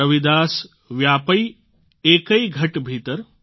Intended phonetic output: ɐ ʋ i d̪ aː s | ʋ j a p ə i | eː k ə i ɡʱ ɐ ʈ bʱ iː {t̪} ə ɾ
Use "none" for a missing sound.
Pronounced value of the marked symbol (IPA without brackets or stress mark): t̪